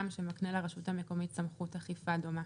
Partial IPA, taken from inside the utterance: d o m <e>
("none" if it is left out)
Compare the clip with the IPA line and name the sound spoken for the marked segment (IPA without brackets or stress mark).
a